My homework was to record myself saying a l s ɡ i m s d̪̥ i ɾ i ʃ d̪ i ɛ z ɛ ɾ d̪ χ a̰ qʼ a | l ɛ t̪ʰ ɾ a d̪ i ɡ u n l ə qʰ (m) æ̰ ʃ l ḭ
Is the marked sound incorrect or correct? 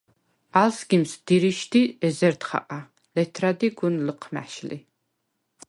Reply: correct